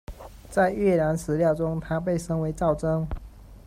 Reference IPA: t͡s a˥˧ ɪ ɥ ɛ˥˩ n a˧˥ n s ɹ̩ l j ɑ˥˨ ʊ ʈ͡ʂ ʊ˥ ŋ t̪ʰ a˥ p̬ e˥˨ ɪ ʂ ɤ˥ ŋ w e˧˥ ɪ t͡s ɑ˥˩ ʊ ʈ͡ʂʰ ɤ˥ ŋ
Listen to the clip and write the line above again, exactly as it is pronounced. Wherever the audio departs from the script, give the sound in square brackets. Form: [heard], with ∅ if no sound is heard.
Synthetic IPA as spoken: t͡s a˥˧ ɪ ɥ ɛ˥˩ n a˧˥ n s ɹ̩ l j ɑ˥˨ ʊ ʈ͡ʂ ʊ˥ ŋ t̪ʰ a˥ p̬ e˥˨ ɪ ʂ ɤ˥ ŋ w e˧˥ ɪ t͡s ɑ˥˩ ʊ [ʈ͡ʂ] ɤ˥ ŋ